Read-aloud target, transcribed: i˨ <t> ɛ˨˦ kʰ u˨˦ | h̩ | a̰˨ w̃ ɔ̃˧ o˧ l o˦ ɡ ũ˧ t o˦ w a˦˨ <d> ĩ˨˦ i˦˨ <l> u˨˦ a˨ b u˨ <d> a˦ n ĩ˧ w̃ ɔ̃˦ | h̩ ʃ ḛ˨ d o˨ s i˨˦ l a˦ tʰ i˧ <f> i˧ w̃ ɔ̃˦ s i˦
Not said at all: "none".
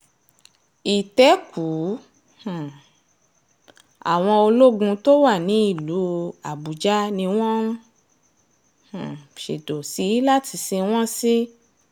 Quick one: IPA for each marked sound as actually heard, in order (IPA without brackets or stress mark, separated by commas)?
t, n, l, d͡ʒ, s